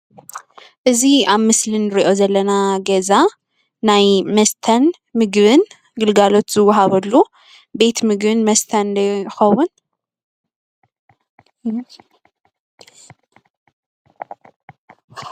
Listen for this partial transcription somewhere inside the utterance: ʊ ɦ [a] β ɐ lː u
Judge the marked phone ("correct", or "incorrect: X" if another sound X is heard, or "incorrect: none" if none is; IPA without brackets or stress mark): correct